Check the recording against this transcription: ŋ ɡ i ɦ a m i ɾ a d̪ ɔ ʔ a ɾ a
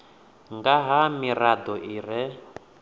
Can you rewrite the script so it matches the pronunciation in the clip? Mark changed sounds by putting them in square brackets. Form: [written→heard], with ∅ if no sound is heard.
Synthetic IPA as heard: ŋ ɡ [i→a] ɦ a m i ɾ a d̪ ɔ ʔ [a→i] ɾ [a→ɛ]